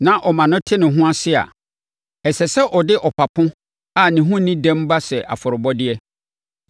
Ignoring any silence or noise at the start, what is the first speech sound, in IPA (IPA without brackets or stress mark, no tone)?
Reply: n